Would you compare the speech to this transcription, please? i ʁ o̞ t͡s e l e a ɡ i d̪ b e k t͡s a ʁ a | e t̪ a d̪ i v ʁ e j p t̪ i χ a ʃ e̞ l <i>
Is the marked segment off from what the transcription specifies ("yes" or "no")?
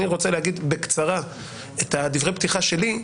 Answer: no